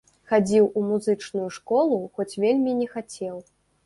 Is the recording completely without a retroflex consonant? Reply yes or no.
no